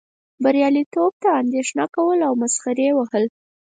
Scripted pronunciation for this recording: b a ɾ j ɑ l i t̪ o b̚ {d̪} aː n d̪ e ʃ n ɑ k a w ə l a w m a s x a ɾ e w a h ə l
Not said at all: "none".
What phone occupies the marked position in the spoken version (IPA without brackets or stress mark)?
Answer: t̪